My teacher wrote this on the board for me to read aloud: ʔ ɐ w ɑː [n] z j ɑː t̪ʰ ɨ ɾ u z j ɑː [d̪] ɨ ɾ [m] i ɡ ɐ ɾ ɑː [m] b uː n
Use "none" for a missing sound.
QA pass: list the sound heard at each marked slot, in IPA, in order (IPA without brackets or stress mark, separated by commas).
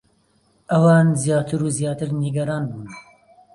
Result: n, t̪, n, n